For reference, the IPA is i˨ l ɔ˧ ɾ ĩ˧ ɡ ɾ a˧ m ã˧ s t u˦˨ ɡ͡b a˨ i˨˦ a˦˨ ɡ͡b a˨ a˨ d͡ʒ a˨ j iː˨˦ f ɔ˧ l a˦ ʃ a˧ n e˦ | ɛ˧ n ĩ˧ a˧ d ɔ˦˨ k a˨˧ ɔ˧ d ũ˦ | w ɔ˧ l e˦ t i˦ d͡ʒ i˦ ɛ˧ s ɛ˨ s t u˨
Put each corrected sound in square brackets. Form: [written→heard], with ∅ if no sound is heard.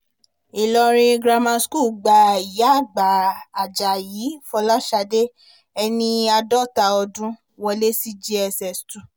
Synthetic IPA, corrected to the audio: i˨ l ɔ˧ ɾ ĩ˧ ɡ ɾ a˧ m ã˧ s [t→k] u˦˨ ɡ͡b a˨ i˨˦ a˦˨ ɡ͡b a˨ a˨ d͡ʒ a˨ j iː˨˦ f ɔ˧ l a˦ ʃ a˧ [n→d] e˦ | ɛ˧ n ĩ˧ a˧ d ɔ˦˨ [k→t] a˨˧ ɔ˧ d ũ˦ | w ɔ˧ l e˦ [t→s] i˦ d͡ʒ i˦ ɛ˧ s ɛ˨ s t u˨